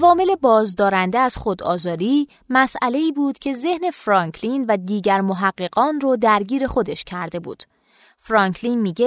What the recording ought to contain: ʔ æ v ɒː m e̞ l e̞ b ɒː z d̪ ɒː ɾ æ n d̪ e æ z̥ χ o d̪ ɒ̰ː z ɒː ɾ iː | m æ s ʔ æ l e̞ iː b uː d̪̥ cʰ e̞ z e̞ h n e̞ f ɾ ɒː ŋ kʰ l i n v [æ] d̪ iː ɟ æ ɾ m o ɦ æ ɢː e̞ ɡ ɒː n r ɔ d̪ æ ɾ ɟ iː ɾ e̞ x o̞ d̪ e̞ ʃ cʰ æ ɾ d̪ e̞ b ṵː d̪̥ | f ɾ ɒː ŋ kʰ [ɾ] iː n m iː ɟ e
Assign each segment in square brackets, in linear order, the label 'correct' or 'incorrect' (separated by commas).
correct, incorrect